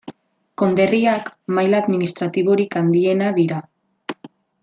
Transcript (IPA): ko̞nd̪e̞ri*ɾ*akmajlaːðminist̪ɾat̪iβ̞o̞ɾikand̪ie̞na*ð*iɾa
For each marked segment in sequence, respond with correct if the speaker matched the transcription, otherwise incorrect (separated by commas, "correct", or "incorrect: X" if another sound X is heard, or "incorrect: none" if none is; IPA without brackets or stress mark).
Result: incorrect: none, correct